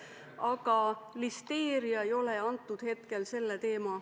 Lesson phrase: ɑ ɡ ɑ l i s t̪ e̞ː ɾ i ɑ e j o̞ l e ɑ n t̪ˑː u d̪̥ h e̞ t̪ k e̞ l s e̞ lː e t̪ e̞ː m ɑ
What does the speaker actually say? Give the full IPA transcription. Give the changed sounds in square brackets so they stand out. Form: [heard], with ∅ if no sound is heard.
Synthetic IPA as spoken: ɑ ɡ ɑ l i s t̪ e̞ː ɾ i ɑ e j o̞ l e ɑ n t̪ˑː u d̪̥ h e̞ t̪ k e̞ l s e̞ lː e t̪ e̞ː m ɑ